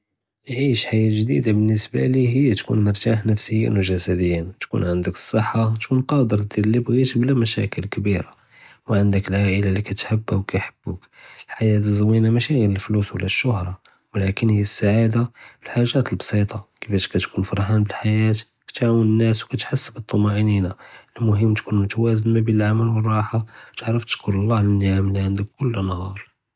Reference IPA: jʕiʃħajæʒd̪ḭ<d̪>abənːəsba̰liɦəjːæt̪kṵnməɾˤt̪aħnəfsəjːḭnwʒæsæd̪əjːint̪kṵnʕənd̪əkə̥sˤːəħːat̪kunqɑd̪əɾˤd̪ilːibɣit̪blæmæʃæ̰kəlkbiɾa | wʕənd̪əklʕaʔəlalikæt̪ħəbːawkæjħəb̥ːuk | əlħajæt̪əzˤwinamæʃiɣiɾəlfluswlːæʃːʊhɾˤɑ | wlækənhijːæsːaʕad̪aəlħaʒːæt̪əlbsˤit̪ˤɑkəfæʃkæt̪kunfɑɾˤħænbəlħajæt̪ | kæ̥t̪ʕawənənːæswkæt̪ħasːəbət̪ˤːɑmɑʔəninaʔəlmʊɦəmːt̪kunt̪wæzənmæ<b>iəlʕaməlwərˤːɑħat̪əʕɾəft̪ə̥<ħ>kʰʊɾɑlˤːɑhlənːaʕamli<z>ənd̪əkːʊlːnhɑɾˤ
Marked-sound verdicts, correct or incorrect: correct, correct, incorrect, incorrect

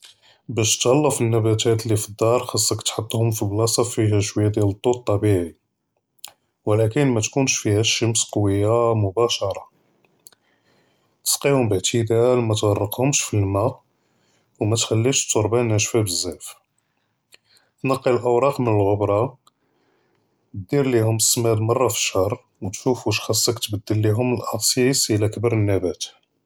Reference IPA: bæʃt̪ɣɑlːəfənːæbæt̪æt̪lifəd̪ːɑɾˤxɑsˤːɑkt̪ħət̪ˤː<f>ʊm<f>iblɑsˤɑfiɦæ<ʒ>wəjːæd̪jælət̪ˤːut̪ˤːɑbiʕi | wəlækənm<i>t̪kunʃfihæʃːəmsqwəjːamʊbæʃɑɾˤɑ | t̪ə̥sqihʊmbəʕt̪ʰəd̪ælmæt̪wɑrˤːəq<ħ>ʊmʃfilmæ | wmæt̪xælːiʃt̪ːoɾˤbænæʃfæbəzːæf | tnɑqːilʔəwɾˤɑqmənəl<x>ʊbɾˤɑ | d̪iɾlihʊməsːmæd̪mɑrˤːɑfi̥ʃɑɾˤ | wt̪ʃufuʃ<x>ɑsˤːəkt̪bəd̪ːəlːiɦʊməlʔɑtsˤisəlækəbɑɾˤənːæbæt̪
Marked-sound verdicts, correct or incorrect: incorrect, correct, incorrect, incorrect, incorrect, incorrect, correct

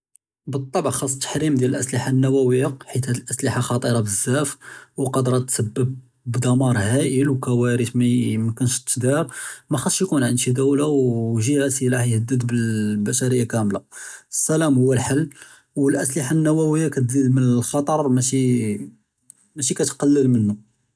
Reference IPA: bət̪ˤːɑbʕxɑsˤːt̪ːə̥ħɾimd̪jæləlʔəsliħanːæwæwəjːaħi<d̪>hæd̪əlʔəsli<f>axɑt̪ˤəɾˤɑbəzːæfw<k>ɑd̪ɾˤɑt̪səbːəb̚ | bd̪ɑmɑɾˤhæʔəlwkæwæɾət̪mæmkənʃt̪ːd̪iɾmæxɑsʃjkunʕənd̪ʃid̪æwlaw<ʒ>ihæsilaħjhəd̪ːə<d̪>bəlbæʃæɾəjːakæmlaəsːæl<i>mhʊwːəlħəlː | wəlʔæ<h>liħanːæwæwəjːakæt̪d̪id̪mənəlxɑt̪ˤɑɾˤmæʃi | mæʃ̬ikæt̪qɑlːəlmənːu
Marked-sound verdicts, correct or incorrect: incorrect, incorrect, incorrect, correct, correct, incorrect, incorrect

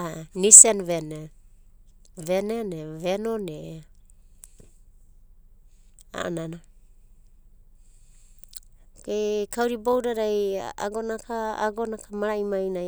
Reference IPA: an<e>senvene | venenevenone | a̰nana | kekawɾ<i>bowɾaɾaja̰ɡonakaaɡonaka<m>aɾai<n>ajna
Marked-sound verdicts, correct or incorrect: incorrect, correct, correct, incorrect

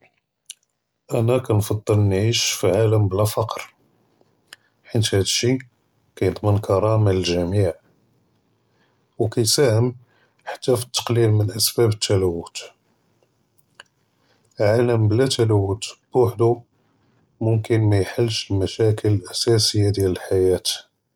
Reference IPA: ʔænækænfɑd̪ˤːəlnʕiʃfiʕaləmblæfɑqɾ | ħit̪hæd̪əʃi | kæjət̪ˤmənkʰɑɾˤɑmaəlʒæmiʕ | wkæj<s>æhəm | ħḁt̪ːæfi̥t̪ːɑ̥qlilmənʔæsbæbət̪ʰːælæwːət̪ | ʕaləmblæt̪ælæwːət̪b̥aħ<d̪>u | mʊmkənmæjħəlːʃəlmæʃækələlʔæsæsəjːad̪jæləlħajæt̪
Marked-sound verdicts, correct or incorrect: correct, correct

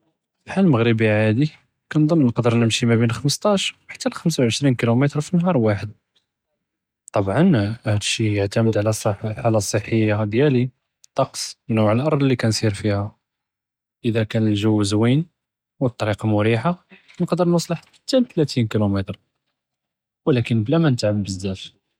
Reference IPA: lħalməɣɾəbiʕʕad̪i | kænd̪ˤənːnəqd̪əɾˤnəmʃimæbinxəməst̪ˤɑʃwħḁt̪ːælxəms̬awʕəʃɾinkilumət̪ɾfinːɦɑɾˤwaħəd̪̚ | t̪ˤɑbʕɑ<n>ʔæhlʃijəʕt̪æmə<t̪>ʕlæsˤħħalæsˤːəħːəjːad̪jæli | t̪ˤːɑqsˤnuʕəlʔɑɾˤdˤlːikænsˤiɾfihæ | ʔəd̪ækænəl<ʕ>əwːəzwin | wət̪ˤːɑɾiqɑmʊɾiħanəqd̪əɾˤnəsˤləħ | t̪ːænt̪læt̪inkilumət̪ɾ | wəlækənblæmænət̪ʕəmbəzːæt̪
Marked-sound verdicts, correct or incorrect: correct, incorrect, incorrect

